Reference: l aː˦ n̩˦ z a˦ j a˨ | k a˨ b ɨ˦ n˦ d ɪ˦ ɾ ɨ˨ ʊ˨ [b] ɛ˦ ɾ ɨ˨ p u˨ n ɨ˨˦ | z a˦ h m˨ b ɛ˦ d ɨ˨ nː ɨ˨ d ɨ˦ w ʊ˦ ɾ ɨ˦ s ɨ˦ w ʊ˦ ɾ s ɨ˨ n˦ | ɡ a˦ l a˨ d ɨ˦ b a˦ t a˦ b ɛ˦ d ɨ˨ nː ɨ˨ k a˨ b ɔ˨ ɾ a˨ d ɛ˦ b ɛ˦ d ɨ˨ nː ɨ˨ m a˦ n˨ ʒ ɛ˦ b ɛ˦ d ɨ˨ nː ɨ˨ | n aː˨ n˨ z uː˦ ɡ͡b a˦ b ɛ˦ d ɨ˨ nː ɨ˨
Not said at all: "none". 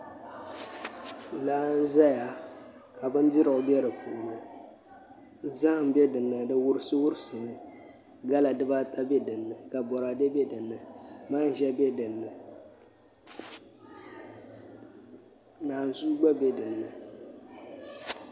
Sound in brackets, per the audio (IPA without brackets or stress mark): b